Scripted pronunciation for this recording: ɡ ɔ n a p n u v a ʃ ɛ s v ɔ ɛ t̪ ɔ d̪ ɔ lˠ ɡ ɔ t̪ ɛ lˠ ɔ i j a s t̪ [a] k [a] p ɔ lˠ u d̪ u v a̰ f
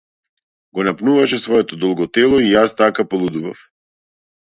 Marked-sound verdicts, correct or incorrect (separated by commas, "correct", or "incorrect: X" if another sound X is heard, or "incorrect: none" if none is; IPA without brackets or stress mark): correct, correct